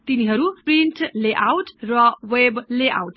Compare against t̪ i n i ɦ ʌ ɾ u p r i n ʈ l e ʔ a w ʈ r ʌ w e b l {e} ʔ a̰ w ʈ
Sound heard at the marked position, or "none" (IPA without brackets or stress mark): e